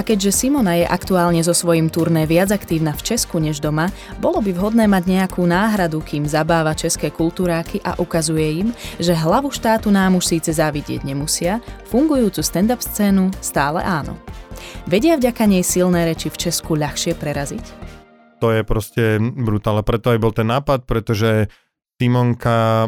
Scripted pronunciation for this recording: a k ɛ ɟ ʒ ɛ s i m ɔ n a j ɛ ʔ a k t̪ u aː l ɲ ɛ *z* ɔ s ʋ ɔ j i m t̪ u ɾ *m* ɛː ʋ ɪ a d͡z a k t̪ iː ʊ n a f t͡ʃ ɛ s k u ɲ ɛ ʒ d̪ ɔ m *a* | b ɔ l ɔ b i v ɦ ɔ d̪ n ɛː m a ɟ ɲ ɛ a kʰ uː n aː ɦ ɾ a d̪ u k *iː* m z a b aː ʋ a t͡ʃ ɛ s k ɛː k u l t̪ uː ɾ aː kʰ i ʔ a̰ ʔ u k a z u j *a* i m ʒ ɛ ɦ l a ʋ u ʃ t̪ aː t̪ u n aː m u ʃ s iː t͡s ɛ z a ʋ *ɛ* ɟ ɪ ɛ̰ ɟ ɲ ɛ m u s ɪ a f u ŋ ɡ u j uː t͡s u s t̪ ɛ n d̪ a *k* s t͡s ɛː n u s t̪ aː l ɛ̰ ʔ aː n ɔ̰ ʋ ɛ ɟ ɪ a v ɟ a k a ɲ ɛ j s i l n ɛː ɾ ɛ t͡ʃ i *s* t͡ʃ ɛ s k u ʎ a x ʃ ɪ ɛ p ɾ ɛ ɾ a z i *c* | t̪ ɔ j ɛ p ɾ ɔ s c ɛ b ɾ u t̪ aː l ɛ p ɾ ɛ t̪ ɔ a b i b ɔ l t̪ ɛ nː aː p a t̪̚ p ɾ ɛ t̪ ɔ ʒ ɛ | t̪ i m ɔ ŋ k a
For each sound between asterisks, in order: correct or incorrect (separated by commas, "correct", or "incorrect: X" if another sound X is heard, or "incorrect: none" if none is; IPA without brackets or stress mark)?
correct, incorrect: n, correct, correct, incorrect: ɛ, incorrect: i, incorrect: p, incorrect: f, correct